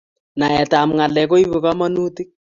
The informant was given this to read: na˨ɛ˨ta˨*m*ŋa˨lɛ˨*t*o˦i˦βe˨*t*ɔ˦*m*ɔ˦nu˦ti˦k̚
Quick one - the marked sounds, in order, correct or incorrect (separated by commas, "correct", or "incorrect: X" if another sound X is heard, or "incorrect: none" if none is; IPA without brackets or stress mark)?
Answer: correct, incorrect: k, incorrect: k, correct